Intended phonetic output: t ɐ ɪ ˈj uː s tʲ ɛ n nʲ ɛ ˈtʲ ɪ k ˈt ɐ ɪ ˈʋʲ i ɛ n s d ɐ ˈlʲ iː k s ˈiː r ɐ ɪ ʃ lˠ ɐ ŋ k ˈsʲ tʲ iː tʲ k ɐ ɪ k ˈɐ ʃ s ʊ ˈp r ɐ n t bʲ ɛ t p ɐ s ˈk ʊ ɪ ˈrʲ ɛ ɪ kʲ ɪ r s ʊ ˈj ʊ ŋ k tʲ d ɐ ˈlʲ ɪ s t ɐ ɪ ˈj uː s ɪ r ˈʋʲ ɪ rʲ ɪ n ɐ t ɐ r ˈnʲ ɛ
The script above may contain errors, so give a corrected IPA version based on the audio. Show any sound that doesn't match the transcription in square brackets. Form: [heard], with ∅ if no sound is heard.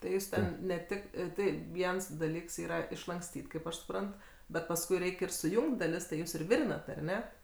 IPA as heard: t ɐ ɪ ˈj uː s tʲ ɛ n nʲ ɛ ˈtʲ ɪ k ˈt ɐ ɪ ˈʋʲ i ɛ n s d ɐ ˈlʲ iː k s ˈiː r ɐ ɪ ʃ lˠ ɐ ŋ k ˈsʲ tʲ iː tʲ k ɐ ɪ [p] ˈɐ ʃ s ʊ ˈp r ɐ n t bʲ ɛ t p ɐ s ˈk ʊ ɪ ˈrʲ ɛ ɪ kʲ ɪ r s ʊ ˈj ʊ ŋ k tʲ d ɐ ˈlʲ ɪ s t ɐ ɪ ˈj uː s ɪ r ˈʋʲ ɪ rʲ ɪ n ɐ t ɐ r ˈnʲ ɛ